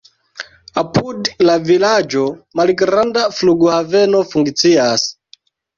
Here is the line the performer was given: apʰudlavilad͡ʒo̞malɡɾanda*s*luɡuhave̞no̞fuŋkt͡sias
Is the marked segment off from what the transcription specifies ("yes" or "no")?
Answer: yes